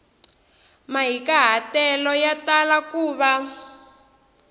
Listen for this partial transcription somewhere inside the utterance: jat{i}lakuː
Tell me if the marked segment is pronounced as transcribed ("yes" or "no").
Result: no